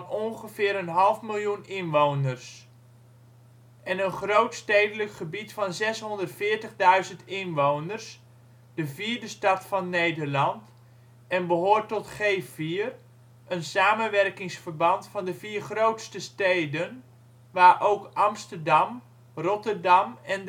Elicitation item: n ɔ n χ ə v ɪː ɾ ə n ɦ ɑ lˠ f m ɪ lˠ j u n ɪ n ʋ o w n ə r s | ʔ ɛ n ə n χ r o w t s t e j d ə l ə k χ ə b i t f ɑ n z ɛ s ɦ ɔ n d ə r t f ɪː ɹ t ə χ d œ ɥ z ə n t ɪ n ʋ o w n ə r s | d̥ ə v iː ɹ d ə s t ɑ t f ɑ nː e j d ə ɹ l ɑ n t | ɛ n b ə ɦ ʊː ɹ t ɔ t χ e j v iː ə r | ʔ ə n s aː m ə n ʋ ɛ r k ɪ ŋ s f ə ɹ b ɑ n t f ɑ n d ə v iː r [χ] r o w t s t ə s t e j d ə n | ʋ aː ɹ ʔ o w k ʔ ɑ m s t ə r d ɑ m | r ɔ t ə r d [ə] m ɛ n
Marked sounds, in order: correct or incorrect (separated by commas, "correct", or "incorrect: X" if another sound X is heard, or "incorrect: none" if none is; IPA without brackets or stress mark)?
correct, incorrect: ɑ